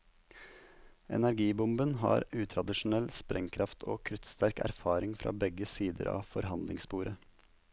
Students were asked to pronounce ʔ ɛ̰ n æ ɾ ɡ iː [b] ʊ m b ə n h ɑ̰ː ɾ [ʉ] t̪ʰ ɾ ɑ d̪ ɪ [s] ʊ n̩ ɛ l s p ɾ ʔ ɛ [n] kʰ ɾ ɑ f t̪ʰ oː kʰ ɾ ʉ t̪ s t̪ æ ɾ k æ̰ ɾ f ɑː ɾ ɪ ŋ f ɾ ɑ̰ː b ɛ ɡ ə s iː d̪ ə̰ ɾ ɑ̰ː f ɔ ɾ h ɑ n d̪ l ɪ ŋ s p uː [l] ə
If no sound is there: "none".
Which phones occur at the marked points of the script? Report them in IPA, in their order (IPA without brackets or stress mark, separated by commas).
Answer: b, ʉː, ʃ, ŋ, ɾ